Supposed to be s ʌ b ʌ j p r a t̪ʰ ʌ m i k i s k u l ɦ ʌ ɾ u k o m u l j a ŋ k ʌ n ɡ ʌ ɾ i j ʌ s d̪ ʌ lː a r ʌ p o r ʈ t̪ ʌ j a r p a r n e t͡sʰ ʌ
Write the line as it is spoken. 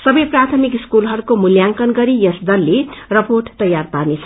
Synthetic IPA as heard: s ʌ b ʌ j p r a t̪ʰ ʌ m i k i s k u l ɦ ʌ ɾ u k o m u l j a ŋ k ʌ n ɡ ʌ ɾ i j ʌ s d̪ ʌ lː e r ʌ p o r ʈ t̪ ʌ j a r p a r n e t͡sʰ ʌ